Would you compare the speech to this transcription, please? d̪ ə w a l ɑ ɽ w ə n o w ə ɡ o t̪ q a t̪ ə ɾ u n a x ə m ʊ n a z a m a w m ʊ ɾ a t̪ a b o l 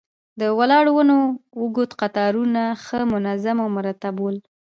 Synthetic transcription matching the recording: d̪ ə w a l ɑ ɽ w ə n o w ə ɡ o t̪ q a t̪ ɑ ɾ u n a x ə m ʊ n a z a m a w m ʊ ɾ a t̪ a b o l